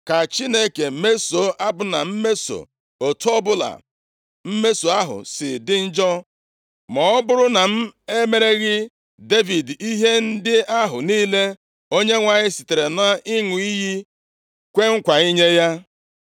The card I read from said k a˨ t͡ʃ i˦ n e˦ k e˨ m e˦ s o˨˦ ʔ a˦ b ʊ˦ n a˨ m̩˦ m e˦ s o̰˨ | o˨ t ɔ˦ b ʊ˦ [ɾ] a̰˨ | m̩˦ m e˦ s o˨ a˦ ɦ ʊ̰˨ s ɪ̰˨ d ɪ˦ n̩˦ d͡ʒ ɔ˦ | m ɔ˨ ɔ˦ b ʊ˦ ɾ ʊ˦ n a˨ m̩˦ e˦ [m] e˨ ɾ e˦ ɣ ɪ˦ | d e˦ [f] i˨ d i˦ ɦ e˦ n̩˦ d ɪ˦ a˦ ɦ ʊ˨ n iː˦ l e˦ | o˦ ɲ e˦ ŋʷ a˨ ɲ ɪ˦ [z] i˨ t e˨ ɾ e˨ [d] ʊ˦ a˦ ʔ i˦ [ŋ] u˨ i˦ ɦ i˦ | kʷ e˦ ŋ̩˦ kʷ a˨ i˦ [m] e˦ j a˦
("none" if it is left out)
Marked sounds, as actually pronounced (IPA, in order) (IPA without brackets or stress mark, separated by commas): l, m, v, s, n, ŋ, ɲ